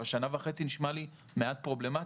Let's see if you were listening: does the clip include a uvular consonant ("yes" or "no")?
yes